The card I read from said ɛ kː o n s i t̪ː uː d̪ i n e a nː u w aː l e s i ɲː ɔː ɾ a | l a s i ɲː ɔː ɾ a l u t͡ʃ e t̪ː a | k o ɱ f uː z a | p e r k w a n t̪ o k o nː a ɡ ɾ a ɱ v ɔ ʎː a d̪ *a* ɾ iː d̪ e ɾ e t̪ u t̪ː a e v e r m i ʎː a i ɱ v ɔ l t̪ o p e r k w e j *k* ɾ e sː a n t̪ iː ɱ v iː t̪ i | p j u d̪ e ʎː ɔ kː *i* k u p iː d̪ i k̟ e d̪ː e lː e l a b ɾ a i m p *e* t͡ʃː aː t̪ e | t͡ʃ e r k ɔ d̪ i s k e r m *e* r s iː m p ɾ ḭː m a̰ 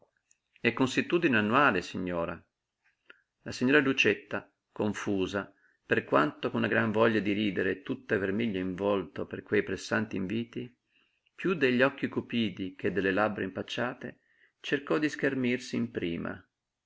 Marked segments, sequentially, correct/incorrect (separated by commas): incorrect, incorrect, correct, incorrect, incorrect